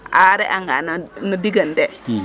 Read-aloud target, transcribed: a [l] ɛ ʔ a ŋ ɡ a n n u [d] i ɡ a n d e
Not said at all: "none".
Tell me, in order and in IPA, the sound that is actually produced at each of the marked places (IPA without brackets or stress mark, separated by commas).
ɾ, d